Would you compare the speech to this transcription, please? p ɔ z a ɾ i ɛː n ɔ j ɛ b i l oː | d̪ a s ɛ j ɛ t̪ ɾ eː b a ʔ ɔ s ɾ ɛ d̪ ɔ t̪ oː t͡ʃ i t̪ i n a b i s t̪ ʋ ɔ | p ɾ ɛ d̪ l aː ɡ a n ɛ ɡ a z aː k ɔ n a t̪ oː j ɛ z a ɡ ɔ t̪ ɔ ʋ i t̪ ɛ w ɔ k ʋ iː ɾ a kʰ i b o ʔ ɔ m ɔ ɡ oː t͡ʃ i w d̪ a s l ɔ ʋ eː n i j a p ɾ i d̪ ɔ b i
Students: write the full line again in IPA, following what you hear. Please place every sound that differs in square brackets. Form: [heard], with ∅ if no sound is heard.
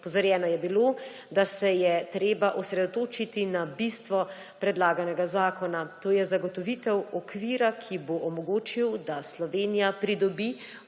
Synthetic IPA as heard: p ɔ z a ɾ [j] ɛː n ɔ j ɛ b i l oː | d̪ a s ɛ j ɛ t̪ ɾ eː b a ʔ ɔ s ɾ ɛ d̪ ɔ t̪ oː t͡ʃ i t̪ i n a b i s t̪ ʋ ɔ | p ɾ ɛ d̪ l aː ɡ a n ɛ ɡ a z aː k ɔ n a t̪ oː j ɛ z a ɡ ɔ t̪ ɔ ʋ i t̪ ɛ w ɔ k ʋ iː ɾ a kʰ i b o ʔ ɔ m ɔ ɡ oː t͡ʃ i w d̪ a s l ɔ ʋ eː n i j a p ɾ i d̪ ɔ b i